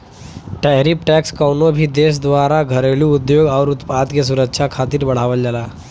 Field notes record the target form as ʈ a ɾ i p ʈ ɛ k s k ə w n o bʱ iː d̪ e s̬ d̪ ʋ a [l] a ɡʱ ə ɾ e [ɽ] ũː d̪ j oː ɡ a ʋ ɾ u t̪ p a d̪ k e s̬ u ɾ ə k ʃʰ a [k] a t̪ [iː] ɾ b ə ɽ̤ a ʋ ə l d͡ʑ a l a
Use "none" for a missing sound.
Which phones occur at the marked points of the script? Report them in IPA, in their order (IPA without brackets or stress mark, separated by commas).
ɾ, l, kʰ, iː